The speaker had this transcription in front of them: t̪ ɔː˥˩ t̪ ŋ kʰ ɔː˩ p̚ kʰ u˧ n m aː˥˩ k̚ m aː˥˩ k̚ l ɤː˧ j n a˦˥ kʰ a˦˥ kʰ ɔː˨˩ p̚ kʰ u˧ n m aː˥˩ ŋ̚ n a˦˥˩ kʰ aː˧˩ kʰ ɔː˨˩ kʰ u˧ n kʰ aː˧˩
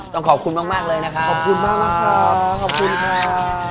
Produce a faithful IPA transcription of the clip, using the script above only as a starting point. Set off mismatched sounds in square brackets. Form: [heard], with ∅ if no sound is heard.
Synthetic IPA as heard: t̪ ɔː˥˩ [∅] ŋ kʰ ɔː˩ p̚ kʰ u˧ n m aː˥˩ k̚ m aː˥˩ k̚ l ɤː˧ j n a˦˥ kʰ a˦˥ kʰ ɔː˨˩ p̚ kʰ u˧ n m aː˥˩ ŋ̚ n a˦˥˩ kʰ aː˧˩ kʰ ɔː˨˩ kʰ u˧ n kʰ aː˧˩